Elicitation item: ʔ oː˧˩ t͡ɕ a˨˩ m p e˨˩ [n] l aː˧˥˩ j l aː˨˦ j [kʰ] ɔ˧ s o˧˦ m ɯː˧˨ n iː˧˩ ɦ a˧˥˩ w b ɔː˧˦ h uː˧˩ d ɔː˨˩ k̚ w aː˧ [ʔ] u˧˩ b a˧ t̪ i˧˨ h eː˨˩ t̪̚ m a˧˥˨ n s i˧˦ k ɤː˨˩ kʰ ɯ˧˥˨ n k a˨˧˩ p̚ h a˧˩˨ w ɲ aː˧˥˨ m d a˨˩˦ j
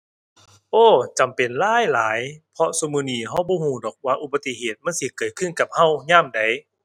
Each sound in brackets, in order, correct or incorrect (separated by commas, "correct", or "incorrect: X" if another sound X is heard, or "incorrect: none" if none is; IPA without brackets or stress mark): correct, incorrect: pʰ, correct